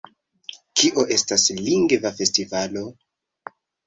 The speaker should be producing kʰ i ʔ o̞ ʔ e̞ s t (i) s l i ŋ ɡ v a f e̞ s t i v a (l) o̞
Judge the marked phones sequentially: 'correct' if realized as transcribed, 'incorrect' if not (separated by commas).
incorrect, correct